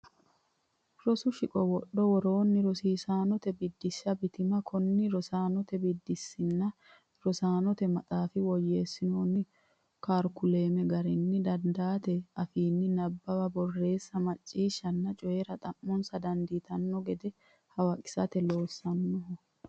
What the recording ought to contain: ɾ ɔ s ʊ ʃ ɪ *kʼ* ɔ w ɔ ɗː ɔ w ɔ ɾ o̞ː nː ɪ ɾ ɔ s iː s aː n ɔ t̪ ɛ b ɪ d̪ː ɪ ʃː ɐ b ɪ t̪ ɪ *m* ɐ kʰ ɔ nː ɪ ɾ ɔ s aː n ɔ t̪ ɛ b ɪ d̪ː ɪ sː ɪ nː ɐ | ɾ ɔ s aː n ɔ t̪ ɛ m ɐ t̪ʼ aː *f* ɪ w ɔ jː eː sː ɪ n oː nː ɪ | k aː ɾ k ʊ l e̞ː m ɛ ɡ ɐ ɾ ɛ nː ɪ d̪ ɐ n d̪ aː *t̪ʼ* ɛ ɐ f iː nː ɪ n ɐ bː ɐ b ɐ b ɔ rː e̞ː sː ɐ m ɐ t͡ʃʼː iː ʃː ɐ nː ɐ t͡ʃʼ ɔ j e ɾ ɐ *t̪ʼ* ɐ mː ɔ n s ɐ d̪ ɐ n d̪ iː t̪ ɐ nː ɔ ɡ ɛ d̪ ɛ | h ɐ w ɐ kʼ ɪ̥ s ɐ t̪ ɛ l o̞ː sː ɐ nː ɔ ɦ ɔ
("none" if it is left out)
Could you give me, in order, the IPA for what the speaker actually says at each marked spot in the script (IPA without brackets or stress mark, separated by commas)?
kʼ, m, f, t̪, t̪ʼ